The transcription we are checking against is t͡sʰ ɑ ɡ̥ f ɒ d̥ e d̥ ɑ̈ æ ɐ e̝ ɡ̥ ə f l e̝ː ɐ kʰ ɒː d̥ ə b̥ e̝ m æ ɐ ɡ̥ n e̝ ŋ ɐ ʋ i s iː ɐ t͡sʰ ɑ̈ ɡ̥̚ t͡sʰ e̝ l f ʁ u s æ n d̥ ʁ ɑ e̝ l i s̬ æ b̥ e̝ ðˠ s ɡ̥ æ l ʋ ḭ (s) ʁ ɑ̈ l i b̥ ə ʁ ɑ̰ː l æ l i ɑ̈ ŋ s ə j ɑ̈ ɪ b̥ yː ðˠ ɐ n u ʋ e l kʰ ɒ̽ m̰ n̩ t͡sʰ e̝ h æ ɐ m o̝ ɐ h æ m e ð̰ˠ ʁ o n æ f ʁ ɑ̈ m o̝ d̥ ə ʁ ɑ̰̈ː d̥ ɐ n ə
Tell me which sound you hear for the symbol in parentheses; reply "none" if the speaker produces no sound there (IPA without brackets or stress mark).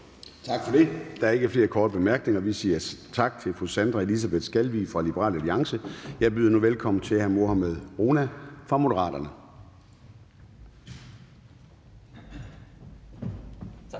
f